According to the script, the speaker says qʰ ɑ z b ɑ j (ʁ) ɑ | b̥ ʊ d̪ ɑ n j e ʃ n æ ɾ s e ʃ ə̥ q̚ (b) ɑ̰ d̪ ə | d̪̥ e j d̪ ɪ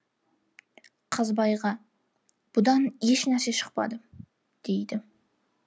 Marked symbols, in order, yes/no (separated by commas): yes, no